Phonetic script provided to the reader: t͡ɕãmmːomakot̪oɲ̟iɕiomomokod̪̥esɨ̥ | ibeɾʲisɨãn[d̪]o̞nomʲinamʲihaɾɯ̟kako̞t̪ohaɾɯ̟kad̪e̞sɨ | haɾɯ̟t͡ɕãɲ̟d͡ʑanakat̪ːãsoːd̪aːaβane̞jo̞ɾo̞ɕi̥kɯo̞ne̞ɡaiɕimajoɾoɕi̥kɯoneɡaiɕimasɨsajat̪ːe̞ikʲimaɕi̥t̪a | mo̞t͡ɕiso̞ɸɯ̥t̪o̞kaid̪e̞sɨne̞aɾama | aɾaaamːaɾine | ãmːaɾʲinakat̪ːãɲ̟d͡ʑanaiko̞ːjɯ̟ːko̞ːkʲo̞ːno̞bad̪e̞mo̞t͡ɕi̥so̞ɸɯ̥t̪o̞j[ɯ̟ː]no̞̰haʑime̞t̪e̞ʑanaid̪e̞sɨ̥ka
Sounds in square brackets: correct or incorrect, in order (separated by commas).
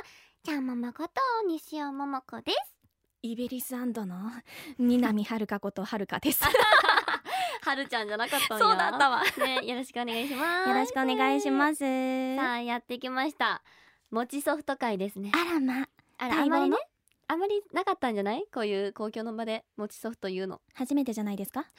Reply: correct, correct